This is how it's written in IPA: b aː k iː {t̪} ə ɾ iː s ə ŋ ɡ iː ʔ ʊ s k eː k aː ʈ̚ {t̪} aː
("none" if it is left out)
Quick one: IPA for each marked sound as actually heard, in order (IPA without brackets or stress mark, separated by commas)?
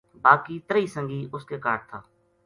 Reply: t̪, t̪ʰ